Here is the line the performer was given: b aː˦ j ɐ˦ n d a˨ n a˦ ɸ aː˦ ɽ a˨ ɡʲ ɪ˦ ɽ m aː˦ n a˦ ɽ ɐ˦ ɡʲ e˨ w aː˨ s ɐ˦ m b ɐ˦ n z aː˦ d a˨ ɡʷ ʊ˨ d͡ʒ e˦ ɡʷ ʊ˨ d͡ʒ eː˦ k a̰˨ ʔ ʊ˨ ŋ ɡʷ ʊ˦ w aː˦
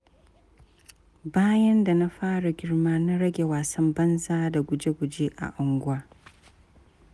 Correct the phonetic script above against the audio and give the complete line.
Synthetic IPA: b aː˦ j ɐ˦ n d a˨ n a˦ ɸ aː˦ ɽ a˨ ɡʲ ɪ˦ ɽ m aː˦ n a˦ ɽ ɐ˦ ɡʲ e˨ w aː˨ s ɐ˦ m b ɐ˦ n z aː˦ d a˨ ɡʷ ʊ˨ d͡ʒ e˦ ɡʷ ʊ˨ d͡ʒ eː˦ ʔ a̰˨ ʔ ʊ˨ ŋ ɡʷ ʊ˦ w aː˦